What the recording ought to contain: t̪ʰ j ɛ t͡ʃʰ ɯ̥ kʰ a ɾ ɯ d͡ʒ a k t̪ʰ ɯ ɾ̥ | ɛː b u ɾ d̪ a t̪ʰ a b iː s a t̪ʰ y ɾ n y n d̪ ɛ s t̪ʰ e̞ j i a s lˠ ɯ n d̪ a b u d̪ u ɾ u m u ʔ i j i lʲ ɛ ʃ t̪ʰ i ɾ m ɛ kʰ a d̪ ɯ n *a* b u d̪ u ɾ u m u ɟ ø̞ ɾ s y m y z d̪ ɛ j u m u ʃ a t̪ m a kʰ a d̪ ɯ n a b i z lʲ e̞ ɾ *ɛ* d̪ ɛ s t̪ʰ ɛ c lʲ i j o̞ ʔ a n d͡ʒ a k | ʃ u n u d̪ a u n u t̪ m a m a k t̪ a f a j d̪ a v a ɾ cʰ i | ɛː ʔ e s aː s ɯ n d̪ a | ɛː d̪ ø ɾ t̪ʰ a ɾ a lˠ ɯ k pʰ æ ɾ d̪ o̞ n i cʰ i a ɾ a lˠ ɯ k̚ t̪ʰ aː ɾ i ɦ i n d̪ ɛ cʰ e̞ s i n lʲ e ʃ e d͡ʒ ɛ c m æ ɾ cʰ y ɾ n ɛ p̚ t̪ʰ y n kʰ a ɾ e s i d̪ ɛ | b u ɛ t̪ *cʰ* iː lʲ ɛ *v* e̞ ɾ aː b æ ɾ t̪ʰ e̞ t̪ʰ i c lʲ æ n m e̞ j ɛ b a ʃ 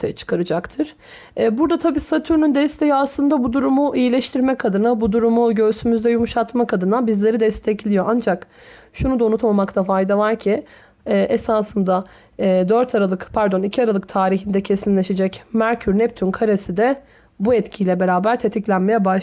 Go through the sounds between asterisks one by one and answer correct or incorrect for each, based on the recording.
correct, incorrect, correct, incorrect

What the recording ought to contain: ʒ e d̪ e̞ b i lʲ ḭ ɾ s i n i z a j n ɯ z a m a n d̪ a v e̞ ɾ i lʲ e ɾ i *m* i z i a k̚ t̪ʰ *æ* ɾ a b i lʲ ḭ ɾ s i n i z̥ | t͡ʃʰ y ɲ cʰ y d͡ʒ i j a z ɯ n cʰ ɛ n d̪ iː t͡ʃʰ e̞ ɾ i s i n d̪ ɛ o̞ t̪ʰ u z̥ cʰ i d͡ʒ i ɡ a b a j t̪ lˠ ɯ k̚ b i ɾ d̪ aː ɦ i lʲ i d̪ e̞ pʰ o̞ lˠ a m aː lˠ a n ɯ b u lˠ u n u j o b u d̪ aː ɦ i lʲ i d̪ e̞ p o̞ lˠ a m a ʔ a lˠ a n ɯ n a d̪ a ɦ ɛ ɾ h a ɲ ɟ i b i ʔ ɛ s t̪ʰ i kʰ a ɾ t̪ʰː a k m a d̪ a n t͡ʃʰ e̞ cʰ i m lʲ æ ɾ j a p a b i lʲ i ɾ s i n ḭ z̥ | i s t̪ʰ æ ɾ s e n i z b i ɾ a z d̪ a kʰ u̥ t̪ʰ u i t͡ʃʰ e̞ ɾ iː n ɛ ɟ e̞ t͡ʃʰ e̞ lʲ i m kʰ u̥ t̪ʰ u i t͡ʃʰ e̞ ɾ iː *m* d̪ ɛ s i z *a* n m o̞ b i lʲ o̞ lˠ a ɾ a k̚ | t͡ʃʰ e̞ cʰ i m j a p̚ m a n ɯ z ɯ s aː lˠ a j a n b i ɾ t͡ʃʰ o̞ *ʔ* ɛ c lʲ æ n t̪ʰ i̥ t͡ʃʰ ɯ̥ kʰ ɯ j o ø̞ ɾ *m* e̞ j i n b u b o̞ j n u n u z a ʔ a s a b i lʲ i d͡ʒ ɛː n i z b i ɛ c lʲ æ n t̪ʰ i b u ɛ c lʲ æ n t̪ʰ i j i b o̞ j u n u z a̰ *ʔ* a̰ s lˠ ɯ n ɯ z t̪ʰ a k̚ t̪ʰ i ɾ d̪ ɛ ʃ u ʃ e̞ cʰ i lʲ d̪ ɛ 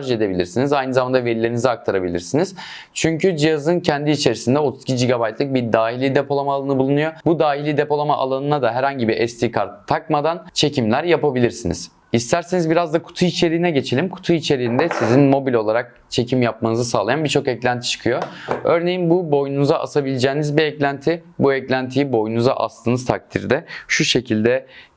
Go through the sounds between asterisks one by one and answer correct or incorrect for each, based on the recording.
incorrect, incorrect, incorrect, incorrect, incorrect, incorrect, correct

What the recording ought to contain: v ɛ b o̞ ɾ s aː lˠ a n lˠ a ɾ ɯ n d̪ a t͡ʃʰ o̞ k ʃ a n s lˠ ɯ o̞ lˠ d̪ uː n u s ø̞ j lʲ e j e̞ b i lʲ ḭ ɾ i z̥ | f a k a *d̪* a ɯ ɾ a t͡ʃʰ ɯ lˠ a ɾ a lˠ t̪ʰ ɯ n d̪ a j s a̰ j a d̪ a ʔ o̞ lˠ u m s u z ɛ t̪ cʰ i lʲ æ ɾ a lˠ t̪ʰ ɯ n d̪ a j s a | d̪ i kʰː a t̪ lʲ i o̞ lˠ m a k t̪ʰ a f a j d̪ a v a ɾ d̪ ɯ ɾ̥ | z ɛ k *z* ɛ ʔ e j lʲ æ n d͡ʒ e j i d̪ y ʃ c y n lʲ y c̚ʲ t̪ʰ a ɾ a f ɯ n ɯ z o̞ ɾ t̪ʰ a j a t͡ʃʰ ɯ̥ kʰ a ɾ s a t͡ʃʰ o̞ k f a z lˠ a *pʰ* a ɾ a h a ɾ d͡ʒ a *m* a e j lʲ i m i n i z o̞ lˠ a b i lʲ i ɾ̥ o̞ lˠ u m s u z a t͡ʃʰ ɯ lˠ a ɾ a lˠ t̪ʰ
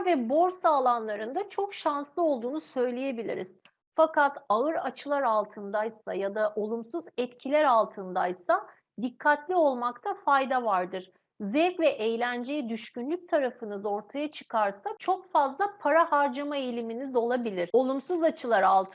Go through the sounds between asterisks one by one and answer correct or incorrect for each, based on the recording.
incorrect, incorrect, correct, correct

